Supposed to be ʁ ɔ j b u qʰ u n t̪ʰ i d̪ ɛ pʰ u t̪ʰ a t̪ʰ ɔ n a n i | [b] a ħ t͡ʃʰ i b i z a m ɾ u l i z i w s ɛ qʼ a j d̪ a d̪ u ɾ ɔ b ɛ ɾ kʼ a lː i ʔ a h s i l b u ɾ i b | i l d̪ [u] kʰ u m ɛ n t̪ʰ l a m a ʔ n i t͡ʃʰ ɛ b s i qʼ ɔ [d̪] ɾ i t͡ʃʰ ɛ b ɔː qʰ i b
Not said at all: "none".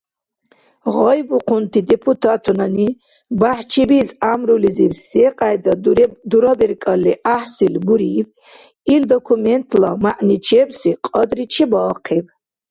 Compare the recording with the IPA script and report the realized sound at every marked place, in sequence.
b, ɔ, d̪

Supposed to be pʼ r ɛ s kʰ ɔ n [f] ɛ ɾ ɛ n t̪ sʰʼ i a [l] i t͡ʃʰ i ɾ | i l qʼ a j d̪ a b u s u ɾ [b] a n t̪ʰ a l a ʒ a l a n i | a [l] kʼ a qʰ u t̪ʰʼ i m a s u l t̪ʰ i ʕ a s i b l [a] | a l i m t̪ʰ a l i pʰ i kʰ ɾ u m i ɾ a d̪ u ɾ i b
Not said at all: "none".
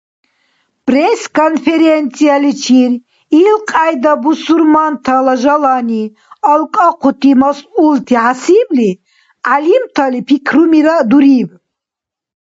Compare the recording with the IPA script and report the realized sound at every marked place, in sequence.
f, l, m, l, i

